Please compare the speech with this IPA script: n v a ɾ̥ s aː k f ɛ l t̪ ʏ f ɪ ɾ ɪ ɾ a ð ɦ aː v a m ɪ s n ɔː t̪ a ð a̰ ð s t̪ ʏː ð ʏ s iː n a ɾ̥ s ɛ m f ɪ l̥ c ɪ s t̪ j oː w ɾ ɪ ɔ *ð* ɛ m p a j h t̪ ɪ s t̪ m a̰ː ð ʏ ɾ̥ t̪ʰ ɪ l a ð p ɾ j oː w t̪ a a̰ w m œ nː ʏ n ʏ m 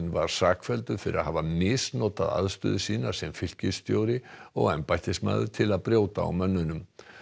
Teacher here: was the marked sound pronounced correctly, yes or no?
no